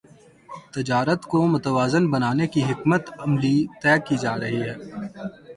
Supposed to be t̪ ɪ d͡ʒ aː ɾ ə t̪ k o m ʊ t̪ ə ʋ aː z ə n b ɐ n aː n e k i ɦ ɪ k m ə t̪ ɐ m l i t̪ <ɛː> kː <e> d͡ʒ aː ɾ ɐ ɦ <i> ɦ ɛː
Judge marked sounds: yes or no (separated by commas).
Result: yes, no, yes